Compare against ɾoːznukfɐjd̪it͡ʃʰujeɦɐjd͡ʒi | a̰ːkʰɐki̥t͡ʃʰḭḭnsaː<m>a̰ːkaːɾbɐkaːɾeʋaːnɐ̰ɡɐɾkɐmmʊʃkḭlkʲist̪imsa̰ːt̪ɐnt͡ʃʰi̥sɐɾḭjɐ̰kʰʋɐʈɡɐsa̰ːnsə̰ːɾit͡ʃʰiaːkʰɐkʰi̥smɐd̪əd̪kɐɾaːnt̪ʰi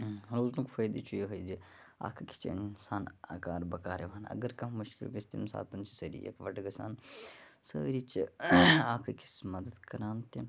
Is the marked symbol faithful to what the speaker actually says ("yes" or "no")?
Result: no